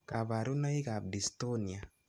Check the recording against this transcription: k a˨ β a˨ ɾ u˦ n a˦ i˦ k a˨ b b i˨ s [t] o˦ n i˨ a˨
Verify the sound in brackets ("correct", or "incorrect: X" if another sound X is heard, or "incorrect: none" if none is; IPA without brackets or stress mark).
correct